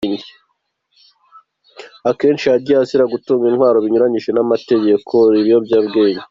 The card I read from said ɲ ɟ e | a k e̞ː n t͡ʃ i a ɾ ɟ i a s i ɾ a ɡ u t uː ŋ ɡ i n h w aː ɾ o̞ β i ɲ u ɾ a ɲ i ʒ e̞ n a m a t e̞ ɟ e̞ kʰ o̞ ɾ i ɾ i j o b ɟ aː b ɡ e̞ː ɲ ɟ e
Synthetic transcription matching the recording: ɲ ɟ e | a k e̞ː n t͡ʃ i a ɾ ɟ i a s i ɾ a ɡ u t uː ŋ ɡ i n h w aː ɾ o̞ β i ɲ u ɾ a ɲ i ʒ e̞ n a m a t e̞ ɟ e̞ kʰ o̞ ɾ i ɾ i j o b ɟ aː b ɡ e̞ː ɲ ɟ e